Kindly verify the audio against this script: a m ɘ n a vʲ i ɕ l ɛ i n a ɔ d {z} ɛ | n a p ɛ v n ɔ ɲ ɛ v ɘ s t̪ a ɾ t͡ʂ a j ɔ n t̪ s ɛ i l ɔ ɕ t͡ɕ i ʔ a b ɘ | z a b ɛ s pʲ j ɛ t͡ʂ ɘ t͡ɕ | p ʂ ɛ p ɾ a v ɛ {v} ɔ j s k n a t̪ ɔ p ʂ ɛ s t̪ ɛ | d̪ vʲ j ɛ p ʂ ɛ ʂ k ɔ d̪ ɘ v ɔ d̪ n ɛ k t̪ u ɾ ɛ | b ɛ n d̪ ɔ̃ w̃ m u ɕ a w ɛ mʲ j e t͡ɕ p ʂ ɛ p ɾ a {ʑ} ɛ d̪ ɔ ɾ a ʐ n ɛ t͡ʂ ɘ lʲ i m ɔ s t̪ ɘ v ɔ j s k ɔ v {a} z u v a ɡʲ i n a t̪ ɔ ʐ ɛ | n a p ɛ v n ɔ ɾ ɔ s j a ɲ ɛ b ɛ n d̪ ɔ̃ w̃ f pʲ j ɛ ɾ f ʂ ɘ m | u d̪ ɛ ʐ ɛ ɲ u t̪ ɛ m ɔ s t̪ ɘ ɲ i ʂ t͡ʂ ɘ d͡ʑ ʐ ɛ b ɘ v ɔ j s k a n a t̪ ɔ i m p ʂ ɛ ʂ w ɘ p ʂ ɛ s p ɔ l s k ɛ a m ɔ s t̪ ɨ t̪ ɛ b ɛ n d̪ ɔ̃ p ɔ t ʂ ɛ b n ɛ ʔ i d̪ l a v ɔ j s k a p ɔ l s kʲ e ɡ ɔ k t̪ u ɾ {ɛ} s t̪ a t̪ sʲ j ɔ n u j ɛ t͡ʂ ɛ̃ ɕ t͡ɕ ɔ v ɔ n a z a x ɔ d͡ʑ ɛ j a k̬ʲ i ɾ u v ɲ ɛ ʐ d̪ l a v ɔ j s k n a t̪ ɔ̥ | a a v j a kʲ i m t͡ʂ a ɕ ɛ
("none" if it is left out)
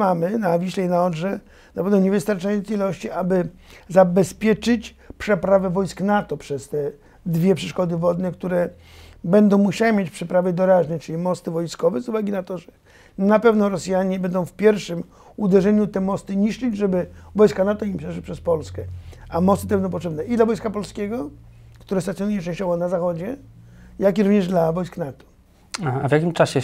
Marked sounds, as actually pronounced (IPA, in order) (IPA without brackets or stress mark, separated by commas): ʐ, v, v, ɛ, ɛ